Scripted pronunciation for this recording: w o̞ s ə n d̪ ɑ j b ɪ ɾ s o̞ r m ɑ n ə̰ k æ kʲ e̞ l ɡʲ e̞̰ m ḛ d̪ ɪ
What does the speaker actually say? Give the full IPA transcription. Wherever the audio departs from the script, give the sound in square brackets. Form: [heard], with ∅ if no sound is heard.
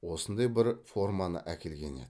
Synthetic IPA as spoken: w o̞ s ə n d̪ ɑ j b ɪ ɾ [f] o̞ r m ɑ n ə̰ [ʔ] æ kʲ e̞ l ɡʲ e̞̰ [n] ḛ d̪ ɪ

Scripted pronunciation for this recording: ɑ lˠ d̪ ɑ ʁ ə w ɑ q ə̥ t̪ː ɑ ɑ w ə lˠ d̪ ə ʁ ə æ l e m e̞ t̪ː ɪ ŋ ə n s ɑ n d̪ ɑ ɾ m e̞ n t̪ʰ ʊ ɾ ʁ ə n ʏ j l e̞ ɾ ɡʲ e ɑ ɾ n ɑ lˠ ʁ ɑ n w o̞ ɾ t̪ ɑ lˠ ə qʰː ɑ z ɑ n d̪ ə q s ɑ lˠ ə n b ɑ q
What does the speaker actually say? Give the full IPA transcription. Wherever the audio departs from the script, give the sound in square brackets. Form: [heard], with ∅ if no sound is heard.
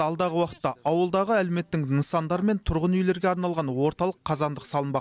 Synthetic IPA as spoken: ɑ lˠ d̪ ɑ ʁ ə w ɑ q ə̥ t̪ː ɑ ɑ w ə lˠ d̪ [ɑ] ʁ ə æ l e m e̞ t̪ː ɪ ŋ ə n s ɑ n d̪ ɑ ɾ m e̞ n t̪ʰ ʊ ɾ ʁ ə n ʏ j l e̞ ɾ ɡʲ e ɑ ɾ n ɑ lˠ ʁ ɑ n w o̞ ɾ t̪ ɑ lˠ ə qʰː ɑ z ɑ n d̪ ə q s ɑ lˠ ə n b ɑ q

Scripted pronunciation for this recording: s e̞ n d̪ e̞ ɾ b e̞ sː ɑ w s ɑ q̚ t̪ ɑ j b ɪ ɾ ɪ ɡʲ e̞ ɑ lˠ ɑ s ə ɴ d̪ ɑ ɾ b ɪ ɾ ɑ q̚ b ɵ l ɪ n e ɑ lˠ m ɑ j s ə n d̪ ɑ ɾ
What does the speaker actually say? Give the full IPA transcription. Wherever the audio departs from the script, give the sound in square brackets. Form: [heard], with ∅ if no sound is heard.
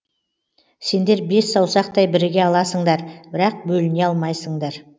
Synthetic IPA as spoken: s e̞ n d̪ e̞ ɾ b e̞ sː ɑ w s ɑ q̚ t̪ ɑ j b ɪ ɾ ɪ ɡʲ e̞ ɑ lˠ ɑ s ə ɴ d̪ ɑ ɾ b ɪ ɾ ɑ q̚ b ɵ l ɪ n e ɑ lˠ m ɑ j s ə [ɴ] d̪ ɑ ɾ

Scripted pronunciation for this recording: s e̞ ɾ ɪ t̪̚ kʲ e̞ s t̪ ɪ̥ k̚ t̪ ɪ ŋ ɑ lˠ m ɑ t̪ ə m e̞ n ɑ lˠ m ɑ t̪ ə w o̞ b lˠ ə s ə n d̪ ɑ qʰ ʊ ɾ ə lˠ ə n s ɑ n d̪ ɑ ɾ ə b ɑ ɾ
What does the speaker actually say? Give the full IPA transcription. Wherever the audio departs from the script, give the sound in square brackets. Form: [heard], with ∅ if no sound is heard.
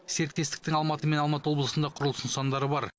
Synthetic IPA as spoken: s e̞ ɾ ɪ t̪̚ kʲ e̞ s t̪ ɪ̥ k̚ t̪ ɪ ŋ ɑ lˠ m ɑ t̪ ə m e̞ n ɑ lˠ m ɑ t̪ ə w o̞ b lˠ ə s ə n d̪ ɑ qʰ ʊ ɾ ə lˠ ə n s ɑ n d̪ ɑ ɾ ə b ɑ ɾ

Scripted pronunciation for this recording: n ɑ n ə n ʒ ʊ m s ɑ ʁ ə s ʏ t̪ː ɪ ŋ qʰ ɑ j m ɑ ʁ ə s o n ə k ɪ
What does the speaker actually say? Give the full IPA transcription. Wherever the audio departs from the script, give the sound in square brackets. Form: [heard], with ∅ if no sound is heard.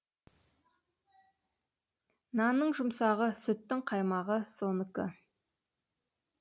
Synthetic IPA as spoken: n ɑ n ə [ɴ] ʒ ʊ m s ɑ ʁ ə s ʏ t̪ː ɪ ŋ qʰ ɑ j m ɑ ʁ ə s o n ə k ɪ

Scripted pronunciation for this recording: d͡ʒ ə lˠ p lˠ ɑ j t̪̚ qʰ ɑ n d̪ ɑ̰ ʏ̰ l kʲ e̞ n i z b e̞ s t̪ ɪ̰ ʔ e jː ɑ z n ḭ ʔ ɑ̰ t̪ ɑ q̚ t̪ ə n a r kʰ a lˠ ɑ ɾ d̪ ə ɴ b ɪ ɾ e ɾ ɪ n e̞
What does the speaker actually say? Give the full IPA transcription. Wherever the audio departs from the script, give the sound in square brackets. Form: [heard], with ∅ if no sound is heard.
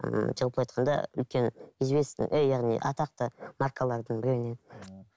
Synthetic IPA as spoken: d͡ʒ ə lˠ p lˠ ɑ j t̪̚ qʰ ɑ n d̪ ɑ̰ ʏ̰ l kʲ e̞ n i z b e̞ s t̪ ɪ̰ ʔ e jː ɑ [ʁ] n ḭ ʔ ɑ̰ t̪ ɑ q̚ t̪ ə [m] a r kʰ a lˠ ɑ ɾ d̪ ə ɴ b ɪ ɾ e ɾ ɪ n e̞

